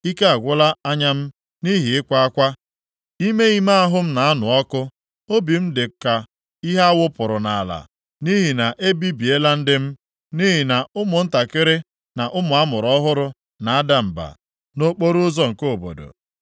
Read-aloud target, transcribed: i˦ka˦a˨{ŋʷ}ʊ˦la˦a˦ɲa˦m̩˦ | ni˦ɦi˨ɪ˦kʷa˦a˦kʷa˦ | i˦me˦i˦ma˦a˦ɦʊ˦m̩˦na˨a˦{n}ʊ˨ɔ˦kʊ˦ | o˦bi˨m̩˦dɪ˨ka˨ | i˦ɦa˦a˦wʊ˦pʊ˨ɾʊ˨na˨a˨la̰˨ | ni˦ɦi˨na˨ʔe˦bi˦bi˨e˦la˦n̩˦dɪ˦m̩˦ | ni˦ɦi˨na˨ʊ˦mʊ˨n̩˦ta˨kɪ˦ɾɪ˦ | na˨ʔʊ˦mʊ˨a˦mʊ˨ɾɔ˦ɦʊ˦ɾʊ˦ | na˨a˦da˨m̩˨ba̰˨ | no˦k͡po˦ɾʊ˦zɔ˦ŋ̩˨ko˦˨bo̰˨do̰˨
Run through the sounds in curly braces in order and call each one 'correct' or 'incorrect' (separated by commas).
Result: incorrect, correct